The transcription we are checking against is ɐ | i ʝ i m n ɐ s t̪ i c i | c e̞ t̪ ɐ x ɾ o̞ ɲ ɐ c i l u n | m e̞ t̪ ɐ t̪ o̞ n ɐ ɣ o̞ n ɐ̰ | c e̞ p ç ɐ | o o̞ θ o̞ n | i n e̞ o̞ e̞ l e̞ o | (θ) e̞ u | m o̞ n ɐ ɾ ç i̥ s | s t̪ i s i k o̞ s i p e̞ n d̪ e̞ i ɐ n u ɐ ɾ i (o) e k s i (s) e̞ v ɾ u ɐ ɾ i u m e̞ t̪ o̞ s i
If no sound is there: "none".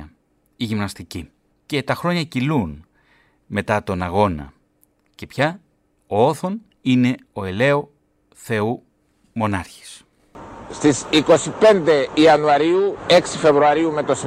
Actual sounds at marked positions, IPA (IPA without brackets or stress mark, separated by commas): θ, u, f